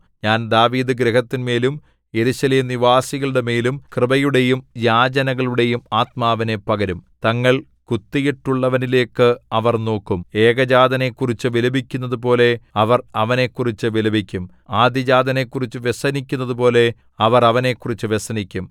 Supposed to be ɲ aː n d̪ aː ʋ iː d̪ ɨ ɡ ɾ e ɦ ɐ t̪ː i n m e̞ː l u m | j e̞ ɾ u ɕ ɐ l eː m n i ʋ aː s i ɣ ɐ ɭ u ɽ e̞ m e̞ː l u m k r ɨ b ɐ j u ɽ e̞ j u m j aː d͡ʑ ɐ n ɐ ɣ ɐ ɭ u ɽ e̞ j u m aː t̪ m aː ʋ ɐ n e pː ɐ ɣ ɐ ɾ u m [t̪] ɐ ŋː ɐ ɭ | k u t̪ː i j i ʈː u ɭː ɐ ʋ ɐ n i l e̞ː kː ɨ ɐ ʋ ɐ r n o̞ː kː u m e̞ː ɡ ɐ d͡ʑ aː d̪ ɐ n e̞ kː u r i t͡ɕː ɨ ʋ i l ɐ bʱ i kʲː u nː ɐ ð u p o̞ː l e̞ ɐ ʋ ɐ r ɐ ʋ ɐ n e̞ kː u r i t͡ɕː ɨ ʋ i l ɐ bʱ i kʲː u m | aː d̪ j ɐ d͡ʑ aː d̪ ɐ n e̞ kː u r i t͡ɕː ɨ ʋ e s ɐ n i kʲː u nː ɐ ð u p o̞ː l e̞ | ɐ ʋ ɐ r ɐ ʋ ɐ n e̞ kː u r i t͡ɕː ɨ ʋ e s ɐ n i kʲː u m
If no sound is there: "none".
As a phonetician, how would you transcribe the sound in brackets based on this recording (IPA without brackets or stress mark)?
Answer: t̪